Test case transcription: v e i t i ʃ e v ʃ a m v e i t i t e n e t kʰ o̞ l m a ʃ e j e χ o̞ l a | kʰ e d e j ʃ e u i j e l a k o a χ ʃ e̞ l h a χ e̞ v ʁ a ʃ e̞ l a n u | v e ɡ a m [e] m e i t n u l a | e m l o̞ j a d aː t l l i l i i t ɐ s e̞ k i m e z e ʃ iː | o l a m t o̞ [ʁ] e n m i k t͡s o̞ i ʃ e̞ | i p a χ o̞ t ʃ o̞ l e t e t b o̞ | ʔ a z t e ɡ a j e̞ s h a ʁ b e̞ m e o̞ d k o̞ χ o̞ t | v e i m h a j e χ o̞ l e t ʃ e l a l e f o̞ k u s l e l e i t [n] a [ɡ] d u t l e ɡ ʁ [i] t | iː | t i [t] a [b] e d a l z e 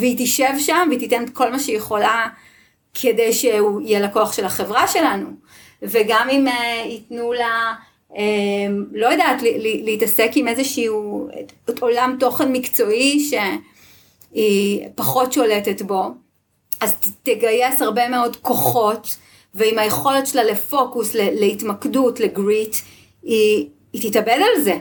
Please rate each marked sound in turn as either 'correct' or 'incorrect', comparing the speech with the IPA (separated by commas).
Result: incorrect, incorrect, incorrect, incorrect, correct, correct, correct